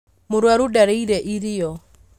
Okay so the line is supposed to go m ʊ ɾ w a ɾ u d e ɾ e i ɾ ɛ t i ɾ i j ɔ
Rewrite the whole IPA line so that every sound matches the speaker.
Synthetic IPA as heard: m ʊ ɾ w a ɾ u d a ɾ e i ɾ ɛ ʔ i ɾ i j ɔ

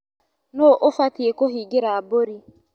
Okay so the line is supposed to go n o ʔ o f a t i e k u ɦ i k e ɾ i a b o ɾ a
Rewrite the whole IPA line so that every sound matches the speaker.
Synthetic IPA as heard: n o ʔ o f a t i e k o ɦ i ɡ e ɾ a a b o ɾ i

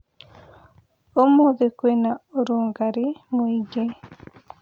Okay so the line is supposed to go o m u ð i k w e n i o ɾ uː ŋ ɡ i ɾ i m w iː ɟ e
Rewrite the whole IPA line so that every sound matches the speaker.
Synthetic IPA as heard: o m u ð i k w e n a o ɾ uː ŋ ɡ a ɾ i m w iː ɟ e

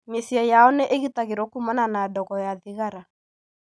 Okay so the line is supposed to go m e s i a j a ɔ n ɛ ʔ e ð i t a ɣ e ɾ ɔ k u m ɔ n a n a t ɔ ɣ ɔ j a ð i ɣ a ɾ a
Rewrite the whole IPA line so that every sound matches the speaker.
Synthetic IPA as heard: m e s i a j a ɔ n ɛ ʔ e ɣ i t a ɣ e ɾ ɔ k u m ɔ n a n a d ɔ ɣ ɔ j a ð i ɣ a ɾ a

